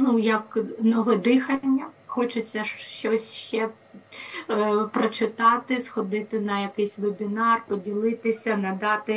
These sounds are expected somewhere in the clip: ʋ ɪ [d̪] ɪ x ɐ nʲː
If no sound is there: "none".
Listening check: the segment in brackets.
d̪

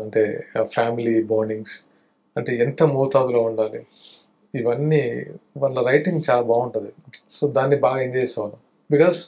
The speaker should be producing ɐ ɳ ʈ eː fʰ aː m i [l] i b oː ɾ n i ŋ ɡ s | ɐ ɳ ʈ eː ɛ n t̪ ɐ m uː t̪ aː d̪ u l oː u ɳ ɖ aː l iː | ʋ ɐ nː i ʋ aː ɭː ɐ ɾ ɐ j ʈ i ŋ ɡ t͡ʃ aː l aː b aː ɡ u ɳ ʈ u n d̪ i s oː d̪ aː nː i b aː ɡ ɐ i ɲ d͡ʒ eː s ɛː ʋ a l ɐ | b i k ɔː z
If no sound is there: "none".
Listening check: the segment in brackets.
l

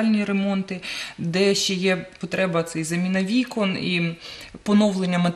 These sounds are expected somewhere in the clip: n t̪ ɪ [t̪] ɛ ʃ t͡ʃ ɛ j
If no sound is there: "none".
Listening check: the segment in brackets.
d̪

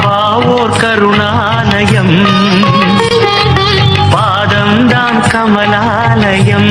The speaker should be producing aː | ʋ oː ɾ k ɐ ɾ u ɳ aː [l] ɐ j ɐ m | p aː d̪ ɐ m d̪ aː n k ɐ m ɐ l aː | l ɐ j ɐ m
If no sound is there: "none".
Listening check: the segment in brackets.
l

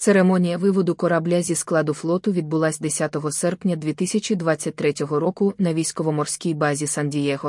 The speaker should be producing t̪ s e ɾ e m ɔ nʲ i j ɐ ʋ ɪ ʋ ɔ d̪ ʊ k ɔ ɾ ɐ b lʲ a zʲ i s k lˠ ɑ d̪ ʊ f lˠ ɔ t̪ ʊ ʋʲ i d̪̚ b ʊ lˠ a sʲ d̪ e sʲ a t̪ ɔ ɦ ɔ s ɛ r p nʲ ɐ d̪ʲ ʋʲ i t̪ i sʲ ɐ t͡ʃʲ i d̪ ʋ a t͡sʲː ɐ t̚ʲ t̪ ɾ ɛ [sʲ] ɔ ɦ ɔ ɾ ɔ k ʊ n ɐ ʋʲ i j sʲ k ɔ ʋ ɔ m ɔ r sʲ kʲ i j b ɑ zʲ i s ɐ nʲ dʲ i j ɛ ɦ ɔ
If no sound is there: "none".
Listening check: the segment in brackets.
tʲ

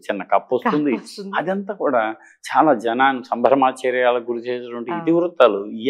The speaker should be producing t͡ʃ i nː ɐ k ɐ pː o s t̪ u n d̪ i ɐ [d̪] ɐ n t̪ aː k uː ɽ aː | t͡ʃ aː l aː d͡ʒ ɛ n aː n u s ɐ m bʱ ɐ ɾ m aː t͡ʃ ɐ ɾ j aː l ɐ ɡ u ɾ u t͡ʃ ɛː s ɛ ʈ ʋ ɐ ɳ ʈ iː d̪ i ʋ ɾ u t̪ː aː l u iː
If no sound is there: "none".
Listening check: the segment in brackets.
d̪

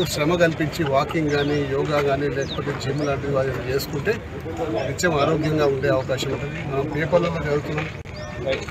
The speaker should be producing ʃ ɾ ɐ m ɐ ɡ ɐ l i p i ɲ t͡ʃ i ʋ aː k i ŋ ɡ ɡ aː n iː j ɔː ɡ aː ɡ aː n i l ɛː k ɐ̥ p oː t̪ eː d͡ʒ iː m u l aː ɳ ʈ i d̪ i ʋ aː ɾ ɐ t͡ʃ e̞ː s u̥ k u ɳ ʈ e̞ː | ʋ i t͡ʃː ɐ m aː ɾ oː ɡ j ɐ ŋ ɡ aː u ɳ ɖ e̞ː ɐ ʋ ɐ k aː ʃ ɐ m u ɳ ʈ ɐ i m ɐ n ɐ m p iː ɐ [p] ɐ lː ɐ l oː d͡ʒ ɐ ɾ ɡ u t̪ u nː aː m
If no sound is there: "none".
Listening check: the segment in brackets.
p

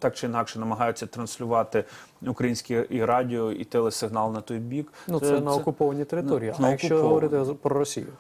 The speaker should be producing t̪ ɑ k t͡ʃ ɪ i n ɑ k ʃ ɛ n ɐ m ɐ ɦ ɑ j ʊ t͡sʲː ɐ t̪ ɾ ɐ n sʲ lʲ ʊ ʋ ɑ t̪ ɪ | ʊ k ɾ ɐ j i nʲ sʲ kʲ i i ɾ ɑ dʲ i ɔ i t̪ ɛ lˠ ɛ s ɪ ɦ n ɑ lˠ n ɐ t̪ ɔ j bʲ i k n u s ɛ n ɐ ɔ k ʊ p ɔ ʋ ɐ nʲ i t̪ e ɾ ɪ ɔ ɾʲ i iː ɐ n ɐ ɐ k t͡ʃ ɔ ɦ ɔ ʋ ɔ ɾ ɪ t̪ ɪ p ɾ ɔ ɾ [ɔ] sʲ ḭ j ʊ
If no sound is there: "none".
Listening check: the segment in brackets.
ɔ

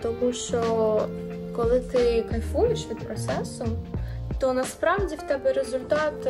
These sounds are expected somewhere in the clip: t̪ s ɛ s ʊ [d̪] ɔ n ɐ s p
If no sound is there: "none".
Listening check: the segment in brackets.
t̪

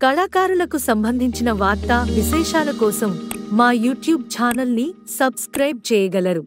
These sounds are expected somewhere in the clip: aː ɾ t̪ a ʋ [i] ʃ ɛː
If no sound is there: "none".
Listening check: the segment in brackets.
i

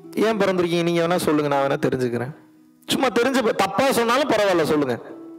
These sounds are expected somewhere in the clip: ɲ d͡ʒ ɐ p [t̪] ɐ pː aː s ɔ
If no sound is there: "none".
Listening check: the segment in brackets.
t̪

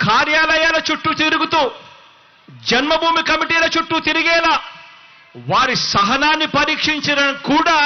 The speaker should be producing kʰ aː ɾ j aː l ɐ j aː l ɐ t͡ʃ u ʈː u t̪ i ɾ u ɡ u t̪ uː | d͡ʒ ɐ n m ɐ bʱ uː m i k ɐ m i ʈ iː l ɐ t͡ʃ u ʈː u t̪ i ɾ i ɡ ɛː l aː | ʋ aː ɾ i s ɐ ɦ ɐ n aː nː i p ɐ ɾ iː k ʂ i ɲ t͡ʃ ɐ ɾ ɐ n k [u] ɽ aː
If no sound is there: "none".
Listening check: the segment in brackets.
uː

